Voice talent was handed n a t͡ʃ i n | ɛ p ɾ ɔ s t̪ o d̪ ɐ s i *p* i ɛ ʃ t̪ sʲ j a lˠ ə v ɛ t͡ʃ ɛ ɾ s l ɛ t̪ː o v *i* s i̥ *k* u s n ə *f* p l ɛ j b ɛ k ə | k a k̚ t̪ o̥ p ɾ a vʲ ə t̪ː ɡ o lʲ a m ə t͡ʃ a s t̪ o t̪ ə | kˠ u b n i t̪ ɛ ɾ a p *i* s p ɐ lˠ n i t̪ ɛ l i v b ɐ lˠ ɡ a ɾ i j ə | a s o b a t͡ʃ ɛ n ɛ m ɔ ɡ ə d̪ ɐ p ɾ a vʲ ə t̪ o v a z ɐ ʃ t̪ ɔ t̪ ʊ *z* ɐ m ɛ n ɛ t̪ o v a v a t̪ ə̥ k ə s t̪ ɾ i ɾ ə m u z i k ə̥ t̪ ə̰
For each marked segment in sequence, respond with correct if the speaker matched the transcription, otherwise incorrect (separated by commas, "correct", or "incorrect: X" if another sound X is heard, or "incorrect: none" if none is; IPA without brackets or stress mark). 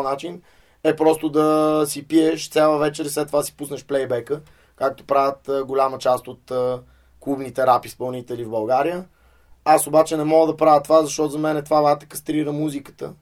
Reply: correct, incorrect: a, incorrect: p, incorrect: ʃ, correct, correct